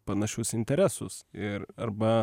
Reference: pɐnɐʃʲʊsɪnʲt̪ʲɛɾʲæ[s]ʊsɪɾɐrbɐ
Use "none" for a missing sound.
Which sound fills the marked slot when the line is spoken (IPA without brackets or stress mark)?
s